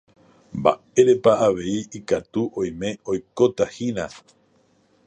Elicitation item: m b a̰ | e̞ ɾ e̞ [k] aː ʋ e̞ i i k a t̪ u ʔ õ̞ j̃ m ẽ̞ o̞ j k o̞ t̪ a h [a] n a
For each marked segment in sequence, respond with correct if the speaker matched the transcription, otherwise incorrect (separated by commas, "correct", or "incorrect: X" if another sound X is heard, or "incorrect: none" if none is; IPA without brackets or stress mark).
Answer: incorrect: p, incorrect: i